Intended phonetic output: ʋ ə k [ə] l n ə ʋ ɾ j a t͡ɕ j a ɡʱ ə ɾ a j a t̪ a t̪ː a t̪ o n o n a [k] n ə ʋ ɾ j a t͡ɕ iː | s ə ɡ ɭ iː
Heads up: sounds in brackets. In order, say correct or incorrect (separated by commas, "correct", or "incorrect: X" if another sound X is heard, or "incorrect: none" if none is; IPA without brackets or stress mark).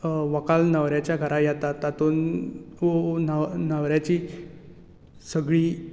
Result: incorrect: a, incorrect: none